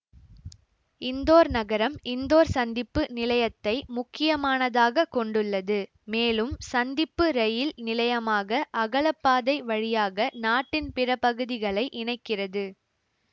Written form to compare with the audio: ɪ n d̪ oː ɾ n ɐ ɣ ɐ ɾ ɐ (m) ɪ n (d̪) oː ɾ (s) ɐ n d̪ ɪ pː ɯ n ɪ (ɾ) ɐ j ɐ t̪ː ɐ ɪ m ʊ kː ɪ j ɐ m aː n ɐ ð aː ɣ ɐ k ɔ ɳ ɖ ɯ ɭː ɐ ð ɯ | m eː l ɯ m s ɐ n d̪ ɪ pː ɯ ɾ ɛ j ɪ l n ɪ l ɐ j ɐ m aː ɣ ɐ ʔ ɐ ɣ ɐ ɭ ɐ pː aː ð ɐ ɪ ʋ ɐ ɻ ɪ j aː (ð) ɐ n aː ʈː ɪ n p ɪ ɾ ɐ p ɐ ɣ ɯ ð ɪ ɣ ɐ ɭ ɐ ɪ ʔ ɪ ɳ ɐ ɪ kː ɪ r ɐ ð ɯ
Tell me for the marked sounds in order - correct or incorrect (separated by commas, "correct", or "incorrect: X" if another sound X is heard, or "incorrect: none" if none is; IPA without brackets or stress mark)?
correct, correct, correct, incorrect: l, incorrect: ɣ